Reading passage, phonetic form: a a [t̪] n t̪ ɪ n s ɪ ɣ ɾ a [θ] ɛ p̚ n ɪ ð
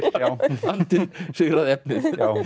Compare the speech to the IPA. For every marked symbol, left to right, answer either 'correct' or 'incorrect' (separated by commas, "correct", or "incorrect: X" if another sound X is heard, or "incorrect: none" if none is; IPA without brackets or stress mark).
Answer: incorrect: none, incorrect: ð